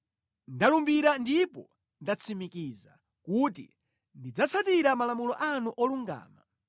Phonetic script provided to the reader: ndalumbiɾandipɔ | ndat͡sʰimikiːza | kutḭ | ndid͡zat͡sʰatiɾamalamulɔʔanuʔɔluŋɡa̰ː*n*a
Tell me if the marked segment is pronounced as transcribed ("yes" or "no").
no